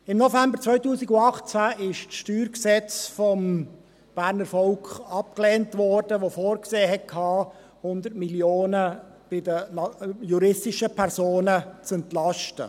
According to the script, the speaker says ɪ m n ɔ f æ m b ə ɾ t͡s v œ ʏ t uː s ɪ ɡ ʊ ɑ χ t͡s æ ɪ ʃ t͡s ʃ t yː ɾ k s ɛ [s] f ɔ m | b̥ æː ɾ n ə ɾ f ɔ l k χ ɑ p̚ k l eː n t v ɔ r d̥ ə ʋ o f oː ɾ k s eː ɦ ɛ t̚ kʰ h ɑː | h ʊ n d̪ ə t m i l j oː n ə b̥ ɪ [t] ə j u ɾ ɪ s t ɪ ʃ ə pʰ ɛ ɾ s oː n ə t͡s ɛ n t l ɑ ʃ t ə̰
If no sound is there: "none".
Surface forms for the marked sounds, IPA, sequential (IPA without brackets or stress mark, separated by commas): t͡s, d